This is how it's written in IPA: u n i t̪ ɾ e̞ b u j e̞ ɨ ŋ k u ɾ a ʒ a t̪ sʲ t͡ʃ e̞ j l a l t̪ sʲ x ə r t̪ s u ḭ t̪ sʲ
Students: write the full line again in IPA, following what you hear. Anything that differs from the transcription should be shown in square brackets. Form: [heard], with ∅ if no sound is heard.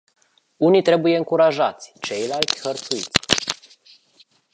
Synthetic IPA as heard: u n i t̪ ɾ e̞ b u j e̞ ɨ ŋ k u ɾ a ʒ a t̪ sʲ t͡ʃ e̞ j l a l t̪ sʲ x ə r t̪ s u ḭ t̪ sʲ